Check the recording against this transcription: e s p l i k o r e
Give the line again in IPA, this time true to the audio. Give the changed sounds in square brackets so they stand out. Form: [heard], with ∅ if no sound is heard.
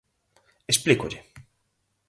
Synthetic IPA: e s p l i k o [ʎ] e